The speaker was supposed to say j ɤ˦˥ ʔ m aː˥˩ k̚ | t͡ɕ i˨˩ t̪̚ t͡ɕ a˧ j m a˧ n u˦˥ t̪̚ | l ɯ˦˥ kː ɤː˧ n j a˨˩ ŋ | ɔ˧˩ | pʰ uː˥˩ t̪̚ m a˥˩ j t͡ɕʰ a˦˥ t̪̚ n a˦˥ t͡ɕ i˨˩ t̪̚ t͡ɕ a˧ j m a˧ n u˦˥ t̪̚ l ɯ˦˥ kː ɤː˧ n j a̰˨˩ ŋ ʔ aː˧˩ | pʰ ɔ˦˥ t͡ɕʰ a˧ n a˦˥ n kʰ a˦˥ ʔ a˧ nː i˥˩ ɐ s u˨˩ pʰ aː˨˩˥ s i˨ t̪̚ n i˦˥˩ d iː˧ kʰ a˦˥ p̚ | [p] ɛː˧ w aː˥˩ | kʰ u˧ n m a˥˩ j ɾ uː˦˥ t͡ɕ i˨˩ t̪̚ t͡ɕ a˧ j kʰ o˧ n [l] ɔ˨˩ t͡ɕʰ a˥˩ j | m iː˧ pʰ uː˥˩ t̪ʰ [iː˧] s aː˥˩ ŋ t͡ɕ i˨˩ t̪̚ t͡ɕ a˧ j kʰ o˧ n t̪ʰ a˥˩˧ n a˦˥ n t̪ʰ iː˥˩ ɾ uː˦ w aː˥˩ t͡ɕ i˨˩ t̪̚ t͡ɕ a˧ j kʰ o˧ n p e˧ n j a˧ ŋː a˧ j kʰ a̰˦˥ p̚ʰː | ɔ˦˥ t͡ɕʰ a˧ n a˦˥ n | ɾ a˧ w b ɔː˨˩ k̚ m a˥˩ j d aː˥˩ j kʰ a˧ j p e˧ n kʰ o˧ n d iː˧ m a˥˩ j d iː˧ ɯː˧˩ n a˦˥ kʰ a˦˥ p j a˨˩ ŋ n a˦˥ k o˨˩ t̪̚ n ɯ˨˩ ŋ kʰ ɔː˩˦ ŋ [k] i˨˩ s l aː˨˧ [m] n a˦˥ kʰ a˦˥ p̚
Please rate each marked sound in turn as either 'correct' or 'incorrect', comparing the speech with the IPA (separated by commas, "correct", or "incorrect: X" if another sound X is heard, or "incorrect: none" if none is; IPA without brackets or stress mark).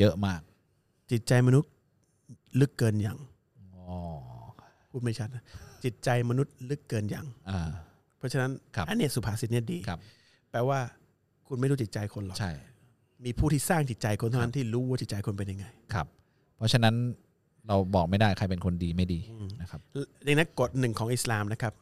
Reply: correct, correct, incorrect: iː˥˩, incorrect: ʔ, correct